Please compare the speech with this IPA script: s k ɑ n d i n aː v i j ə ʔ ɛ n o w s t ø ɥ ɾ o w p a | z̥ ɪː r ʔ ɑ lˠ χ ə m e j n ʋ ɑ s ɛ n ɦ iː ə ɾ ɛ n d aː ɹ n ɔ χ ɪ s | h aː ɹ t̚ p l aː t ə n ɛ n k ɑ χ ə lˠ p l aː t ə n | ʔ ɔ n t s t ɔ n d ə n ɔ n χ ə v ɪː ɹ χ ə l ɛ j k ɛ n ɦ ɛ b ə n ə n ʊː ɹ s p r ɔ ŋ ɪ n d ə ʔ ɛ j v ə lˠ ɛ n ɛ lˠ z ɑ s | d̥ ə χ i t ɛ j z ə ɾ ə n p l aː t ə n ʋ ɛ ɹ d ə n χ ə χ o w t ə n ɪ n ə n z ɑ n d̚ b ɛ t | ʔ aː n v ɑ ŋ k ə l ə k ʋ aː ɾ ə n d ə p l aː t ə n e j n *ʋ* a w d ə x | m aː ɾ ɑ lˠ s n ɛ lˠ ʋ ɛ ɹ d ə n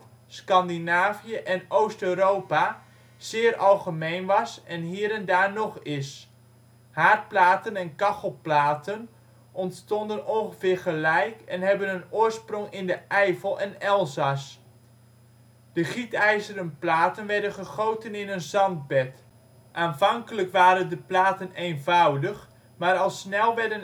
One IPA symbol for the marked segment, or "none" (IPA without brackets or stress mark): v